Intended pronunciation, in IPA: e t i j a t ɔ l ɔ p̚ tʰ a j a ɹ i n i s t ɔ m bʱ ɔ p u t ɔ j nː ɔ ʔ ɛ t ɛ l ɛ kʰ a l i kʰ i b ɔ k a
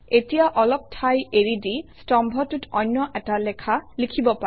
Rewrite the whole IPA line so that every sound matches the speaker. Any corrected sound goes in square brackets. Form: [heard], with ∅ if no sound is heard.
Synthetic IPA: e t i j a [ʔ] ɔ l ɔ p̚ tʰ a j [e] ɹ i [d] i s t ɔ m bʱ ɔ [t] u t ɔ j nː ɔ ʔ ɛ t [a] l ɛ kʰ a l i kʰ i b ɔ [p] a